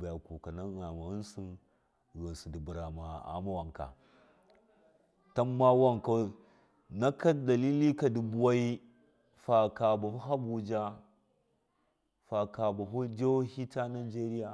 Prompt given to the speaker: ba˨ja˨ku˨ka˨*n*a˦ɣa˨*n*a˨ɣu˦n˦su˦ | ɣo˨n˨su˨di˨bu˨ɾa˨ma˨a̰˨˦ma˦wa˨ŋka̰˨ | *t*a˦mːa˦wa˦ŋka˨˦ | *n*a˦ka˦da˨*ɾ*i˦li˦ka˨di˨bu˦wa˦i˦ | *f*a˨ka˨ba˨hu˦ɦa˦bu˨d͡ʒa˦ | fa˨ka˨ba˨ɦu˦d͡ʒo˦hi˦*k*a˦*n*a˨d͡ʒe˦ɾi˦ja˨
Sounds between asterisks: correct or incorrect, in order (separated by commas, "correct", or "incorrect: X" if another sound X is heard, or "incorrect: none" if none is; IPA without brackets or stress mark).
correct, incorrect: m, correct, correct, incorrect: l, correct, incorrect: t, correct